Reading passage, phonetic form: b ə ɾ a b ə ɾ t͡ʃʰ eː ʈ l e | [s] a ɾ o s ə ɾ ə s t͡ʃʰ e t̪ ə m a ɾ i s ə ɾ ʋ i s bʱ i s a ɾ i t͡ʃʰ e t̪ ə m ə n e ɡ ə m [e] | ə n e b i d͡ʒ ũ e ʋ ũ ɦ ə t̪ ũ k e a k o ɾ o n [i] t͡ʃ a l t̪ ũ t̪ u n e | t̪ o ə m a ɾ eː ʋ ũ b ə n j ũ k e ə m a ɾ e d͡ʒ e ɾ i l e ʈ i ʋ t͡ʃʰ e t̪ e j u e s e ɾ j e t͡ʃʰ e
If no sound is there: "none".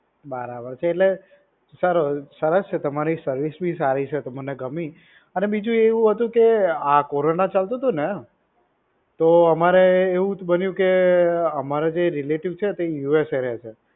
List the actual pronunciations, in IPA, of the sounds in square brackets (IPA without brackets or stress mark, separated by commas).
s, i, a